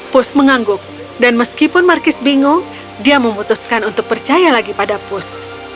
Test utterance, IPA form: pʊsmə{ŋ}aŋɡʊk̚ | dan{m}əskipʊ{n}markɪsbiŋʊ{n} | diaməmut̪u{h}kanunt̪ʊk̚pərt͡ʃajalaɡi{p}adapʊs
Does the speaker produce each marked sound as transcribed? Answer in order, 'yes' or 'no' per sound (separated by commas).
yes, yes, yes, no, no, yes